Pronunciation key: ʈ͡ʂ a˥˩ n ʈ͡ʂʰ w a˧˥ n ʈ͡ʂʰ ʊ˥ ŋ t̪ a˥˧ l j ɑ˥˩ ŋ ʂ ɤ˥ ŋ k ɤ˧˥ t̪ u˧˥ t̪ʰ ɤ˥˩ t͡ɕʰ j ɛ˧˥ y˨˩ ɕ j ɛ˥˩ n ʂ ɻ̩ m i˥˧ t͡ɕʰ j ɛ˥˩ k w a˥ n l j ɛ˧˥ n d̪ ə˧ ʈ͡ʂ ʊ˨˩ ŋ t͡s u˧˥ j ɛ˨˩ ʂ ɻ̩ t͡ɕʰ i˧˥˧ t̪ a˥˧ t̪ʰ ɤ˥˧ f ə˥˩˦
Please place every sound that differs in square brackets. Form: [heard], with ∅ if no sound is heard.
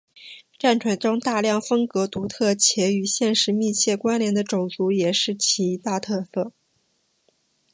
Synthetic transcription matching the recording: ʈ͡ʂ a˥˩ n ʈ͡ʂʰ w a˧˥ n [ʈ͡ʂ] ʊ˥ ŋ t̪ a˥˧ l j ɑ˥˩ ŋ [f] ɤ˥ ŋ k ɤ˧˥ t̪ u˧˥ t̪ʰ ɤ˥˩ t͡ɕʰ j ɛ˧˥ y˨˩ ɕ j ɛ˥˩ n ʂ ɻ̩ m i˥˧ t͡ɕʰ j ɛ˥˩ k w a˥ n l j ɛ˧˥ n d̪ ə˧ ʈ͡ʂ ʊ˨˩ ŋ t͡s u˧˥ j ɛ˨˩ ʂ ɻ̩ t͡ɕʰ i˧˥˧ t̪ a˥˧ t̪ʰ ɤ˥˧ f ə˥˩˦